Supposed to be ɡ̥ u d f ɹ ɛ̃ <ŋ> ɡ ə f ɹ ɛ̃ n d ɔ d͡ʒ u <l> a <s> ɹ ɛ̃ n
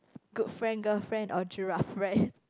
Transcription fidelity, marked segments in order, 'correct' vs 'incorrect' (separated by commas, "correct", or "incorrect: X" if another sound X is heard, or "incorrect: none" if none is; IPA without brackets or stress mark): incorrect: n, incorrect: ɹ, incorrect: f